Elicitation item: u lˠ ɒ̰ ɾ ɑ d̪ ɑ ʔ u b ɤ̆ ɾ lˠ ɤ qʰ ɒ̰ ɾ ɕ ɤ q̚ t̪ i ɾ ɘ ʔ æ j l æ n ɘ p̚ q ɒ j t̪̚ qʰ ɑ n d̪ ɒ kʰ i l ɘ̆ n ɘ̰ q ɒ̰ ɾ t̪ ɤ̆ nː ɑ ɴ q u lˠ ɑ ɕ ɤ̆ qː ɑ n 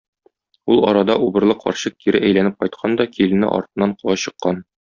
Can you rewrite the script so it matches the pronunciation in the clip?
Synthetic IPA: u lˠ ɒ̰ ɾ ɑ d̪ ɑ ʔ u b ɤ̆ ɾ lˠ ɤ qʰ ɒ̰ ɾ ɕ ɤ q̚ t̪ i ɾ ɘ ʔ æ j l æ n ɘ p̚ q ɒ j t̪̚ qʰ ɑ n d̪ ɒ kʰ i l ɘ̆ n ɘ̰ ʔ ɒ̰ ɾ t̪ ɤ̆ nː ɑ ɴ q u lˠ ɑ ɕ ɤ̆ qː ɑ n

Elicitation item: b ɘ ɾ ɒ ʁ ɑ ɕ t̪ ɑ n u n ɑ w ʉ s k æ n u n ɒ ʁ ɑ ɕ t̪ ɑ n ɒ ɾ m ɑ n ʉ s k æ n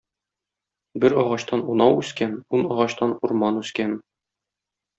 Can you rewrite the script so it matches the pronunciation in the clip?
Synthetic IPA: b ɘ ɾ ɒ ʁ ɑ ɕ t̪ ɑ n u n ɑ w ʉ s k æ n u n ɒ ʁ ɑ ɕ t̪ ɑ n u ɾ m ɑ n ʉ s k æ n

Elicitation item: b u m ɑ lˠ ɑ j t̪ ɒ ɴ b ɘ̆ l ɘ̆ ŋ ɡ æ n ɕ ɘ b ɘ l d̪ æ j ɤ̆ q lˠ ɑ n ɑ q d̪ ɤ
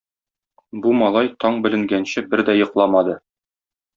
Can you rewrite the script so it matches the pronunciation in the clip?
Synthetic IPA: b u m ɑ lˠ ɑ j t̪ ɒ ɴ b ɘ̆ l ɘ̆ ŋ ɡ æ n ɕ ɘ b ɘ ɾ d̪ æ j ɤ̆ q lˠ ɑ m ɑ d̪ ɤ

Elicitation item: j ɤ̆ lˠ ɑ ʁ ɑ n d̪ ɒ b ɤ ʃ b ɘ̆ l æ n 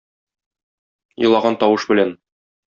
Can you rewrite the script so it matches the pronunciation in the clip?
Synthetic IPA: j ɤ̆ lˠ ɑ ʁ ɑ n t̪ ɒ w ɤ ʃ b ɘ̆ l æ n

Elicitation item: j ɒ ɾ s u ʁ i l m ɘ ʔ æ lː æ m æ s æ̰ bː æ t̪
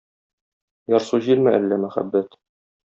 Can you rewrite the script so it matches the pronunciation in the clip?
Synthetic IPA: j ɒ ɾ s u ʑ i l m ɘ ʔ æ lː æ m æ χ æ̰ bː æ t̪

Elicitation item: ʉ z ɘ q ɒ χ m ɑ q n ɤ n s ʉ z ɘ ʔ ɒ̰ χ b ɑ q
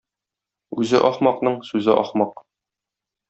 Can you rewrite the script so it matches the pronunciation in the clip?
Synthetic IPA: ʉ z ɘ ʔ ɒ χ m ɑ q n ɤ ɴ s ʉ z ɘ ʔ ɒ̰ χ m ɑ q

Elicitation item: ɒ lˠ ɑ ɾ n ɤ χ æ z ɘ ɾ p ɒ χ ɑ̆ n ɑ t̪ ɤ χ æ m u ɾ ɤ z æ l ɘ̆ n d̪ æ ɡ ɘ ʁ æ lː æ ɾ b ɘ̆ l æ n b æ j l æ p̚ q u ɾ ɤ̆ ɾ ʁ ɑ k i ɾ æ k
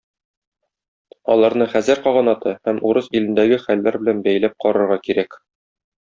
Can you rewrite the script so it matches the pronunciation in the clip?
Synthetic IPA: ɒ lˠ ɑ ɾ n ɤ χ æ z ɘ ɾ q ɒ ʁ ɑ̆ n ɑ t̪ ɤ h æ m u ɾ ɤ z i l ɘ̆ n d̪ æ ɡ ɘ χ æ lː æ ɾ b ɘ̆ l æ n b æ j l æ p̚ q ɒ ɾ ɤ̆ ɾ ʁ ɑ k i ɾ æ k

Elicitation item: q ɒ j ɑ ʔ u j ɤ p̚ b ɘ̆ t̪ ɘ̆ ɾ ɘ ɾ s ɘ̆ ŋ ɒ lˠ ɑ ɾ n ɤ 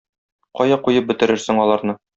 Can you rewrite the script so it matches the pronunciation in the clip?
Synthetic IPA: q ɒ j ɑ q u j ɤ p̚ b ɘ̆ t̪ ɘ̆ ɾ ɘ ɾ s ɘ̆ ŋ ɒ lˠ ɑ ɾ n ɤ

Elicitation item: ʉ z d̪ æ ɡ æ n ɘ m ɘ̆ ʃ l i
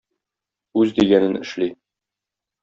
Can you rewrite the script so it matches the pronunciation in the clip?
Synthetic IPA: ʉ z d̪ i ɡ æ n ɘ n ɘ̆ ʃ l i

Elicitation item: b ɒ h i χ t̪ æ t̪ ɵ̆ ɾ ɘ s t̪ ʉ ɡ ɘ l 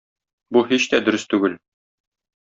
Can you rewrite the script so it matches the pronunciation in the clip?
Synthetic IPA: b u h i ɕ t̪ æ d̪ ɵ̆ ɾ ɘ s t̪ ʉ ɡ ɘ l

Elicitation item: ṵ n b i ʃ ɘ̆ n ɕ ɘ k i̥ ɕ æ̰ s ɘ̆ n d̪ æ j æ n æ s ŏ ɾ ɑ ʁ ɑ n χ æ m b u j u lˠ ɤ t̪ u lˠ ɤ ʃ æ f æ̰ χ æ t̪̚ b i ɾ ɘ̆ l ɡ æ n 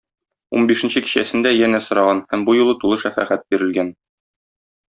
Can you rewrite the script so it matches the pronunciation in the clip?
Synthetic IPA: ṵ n b i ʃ ɘ̆ n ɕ ɘ k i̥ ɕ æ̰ s ɘ̆ n d̪ æ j æ n æ s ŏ ɾ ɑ ʁ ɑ n h æ m b u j u lˠ ɤ t̪ u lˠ ɤ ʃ æ f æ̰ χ æ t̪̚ b i ɾ ɘ̆ l ɡ æ n

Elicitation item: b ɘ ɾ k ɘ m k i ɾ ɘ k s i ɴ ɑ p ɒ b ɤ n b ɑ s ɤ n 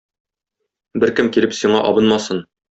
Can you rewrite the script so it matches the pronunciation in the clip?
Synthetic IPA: b ɘ ɾ k ɘ m k i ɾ ɘ p s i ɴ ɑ ʔ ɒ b ɤ n m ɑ s ɤ n

